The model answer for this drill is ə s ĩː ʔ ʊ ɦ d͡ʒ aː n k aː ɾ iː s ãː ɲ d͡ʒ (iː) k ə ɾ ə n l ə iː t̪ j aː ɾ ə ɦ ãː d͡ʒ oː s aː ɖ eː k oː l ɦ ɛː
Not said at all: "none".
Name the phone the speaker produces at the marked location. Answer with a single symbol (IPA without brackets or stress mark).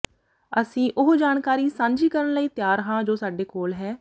iː